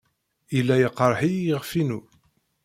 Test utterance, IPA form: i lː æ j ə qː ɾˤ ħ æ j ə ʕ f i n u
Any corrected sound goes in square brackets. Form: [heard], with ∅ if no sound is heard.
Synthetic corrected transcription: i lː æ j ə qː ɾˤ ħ [i] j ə [ʁ] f i n u